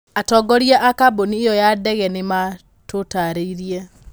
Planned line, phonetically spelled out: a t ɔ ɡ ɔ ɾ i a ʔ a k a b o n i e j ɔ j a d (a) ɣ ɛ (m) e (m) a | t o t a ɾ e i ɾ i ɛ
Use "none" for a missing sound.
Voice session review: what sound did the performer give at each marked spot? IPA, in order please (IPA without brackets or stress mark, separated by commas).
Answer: ɛ, n, m